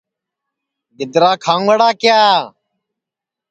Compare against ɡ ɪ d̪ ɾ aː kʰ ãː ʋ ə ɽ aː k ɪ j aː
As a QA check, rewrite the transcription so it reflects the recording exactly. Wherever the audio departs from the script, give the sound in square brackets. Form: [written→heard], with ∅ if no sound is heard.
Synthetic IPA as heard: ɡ ɪ d̪ ɾ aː kʰ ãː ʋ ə ɽ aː k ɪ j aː